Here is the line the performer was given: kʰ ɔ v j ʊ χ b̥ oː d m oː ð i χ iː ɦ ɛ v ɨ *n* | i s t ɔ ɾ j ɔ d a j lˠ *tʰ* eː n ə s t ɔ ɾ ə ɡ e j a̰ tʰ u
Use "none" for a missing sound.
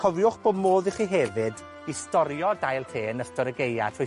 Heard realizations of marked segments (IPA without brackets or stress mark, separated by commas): d, tʰ